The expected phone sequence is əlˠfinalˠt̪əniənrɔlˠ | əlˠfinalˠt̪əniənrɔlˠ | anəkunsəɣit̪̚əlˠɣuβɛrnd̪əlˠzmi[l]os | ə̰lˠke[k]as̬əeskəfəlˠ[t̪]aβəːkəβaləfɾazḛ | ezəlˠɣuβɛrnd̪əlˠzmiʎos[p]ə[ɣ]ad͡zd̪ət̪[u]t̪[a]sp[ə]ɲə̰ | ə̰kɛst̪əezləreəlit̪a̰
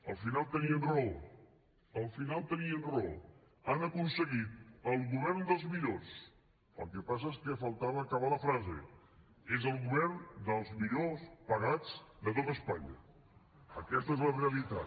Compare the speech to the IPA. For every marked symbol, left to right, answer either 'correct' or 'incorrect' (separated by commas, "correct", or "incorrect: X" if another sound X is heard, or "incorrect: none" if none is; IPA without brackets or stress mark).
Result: incorrect: ʎ, incorrect: p, correct, correct, correct, incorrect: o, incorrect: ə, incorrect: a